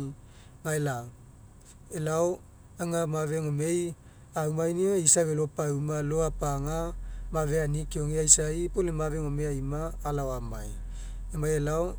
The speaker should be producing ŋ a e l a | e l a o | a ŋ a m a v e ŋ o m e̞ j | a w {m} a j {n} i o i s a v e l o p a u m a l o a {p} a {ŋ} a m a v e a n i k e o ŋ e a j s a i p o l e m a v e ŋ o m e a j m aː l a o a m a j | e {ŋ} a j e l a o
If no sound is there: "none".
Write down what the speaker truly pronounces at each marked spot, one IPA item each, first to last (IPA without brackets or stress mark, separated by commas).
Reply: m, n, p, ŋ, m